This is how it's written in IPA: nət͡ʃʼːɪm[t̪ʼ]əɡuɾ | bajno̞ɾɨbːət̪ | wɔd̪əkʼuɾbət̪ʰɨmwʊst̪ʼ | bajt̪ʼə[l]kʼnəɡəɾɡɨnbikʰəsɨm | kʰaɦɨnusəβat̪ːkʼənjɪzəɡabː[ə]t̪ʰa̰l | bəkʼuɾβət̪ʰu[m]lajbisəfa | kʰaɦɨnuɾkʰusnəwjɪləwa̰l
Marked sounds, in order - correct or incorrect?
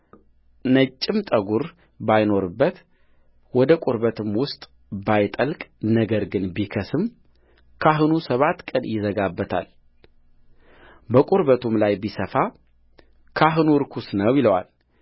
correct, correct, correct, correct

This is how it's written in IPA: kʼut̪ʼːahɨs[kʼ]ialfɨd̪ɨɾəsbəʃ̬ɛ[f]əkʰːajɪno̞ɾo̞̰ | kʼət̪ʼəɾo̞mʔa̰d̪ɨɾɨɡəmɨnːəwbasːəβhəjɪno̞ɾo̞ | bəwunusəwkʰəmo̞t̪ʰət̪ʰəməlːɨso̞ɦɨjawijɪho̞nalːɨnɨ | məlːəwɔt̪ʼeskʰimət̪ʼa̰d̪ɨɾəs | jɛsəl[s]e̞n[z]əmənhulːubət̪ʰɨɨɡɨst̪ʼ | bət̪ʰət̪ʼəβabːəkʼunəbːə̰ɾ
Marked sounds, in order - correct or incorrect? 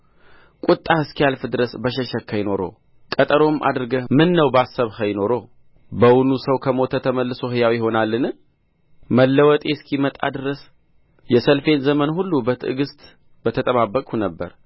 incorrect, incorrect, incorrect, correct

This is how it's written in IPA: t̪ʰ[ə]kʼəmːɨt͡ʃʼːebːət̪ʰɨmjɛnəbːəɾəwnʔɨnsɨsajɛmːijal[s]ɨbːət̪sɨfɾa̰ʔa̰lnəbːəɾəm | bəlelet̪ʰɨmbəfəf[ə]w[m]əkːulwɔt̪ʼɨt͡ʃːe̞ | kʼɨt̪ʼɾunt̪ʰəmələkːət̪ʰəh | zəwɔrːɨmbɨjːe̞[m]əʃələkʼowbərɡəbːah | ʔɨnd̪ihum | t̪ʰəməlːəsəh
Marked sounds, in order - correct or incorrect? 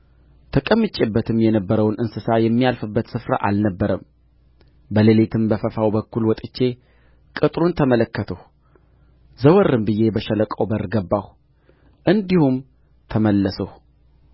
correct, incorrect, incorrect, incorrect, incorrect

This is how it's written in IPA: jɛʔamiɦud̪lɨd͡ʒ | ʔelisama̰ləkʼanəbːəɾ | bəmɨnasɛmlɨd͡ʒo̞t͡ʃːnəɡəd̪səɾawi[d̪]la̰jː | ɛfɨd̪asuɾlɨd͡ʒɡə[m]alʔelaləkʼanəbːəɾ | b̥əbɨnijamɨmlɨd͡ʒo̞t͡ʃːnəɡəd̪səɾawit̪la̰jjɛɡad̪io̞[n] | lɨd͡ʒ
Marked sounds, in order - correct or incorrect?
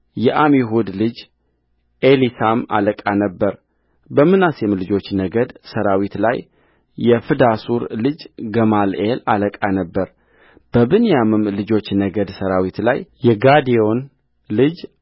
incorrect, correct, correct

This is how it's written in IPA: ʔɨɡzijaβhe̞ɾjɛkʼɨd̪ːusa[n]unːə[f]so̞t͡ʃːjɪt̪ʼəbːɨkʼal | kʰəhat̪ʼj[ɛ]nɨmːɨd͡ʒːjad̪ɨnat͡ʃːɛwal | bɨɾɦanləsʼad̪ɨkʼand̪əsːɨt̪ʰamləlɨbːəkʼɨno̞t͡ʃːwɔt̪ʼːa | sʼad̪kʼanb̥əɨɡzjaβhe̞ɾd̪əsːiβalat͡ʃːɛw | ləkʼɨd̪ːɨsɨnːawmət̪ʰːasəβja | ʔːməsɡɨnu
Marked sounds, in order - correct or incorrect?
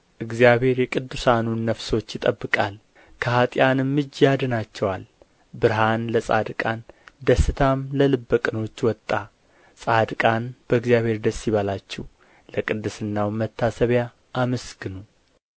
correct, correct, incorrect

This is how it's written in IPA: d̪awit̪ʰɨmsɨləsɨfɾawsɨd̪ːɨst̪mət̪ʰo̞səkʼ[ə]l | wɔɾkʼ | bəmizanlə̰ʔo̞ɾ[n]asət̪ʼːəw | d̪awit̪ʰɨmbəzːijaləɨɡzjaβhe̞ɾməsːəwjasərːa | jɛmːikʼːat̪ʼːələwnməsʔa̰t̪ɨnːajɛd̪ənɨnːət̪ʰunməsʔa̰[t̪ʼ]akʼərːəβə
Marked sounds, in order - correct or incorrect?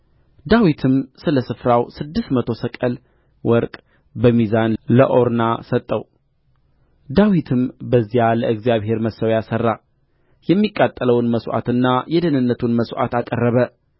correct, correct, incorrect

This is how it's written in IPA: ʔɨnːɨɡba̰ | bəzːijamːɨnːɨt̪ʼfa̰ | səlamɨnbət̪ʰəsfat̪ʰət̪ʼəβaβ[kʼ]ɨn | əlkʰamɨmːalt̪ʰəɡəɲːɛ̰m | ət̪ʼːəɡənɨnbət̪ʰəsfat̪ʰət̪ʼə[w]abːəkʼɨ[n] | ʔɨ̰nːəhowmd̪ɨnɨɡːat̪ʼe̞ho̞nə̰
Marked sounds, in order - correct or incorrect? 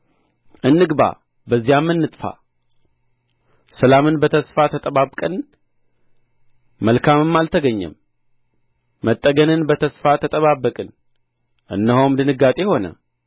correct, incorrect, correct

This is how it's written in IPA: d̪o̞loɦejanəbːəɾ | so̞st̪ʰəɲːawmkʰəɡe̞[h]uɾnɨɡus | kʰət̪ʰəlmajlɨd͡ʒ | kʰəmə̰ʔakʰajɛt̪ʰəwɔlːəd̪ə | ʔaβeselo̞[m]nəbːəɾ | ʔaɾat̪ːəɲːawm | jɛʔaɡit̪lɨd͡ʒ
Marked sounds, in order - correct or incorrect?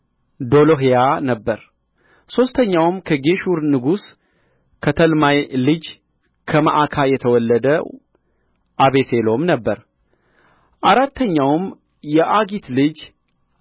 incorrect, correct

